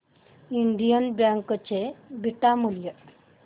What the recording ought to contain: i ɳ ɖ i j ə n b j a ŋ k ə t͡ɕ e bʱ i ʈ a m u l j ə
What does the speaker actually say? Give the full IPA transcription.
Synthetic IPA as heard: i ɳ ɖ i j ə n b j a ŋ k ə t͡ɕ e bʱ i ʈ a m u l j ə